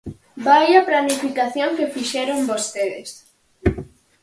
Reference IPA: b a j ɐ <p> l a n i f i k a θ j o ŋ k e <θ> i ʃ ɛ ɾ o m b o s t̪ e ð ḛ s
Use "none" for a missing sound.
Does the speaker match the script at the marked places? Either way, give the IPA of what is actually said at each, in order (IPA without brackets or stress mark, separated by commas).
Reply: p, f